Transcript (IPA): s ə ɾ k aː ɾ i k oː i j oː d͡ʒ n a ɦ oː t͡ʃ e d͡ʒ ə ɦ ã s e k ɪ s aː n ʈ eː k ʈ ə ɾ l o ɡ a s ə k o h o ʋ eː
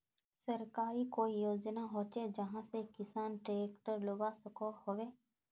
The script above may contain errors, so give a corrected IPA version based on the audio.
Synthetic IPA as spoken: s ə ɾ k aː ɾ i k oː i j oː d͡ʒ n a ɦ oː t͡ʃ e d͡ʒ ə ɦ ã s e k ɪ s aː n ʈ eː k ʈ ə ɾ l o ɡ a s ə k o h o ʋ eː